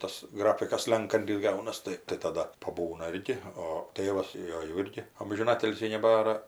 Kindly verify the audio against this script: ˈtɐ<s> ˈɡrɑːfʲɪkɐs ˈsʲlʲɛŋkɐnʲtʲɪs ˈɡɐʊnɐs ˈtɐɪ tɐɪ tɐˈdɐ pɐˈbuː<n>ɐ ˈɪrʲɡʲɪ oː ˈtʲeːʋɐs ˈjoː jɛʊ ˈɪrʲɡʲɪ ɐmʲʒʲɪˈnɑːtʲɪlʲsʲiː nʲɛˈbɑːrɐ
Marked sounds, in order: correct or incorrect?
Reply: correct, correct

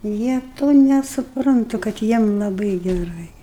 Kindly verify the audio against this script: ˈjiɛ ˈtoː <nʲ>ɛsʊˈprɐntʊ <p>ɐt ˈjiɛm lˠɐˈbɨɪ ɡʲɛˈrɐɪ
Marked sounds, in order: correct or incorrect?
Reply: correct, incorrect: k

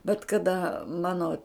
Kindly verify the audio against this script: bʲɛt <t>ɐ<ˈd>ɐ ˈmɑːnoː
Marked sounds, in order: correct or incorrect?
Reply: incorrect: k, correct

